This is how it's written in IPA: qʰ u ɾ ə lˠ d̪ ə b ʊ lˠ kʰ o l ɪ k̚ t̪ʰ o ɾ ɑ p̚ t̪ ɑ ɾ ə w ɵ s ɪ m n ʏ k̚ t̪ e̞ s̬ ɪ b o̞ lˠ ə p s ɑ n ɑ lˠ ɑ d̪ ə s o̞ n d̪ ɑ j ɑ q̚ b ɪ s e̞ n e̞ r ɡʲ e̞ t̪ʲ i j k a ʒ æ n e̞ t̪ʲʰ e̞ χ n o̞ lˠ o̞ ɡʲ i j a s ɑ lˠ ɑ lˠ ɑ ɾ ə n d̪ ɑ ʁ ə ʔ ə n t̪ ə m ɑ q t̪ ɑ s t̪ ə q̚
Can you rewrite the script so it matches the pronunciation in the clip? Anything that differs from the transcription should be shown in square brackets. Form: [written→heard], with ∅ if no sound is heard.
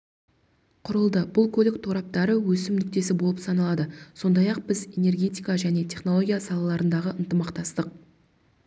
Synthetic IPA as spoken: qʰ [u→ʊ] ɾ ə lˠ d̪ ə b ʊ lˠ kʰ o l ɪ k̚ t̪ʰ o ɾ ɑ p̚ t̪ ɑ ɾ ə w ɵ s ɪ m n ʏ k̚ t̪ e̞ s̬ ɪ b o̞ lˠ ə p s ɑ n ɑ lˠ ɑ d̪ ə s o̞ n d̪ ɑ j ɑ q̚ b ɪ [s→z] e̞ n e̞ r ɡʲ e̞ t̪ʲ i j k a ʒ æ n e̞ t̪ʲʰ e̞ χ n o̞ lˠ o̞ ɡʲ i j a s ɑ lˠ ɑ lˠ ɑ ɾ ə n d̪ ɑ ʁ ə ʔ ə n t̪ ə m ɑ q t̪ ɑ s t̪ ə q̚